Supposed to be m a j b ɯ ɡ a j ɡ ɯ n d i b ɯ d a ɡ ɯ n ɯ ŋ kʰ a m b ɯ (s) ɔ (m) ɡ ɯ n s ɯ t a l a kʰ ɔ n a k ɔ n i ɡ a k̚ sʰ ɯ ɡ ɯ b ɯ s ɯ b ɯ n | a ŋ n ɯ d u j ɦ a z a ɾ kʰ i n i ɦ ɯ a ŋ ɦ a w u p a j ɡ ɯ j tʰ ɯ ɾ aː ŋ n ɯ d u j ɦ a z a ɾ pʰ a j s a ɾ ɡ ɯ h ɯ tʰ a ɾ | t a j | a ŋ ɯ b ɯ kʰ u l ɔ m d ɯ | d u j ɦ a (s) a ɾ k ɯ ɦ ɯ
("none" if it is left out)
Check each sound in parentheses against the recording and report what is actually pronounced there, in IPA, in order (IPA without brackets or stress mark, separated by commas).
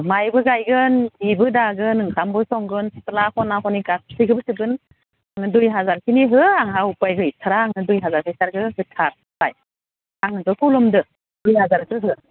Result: s, ŋ, z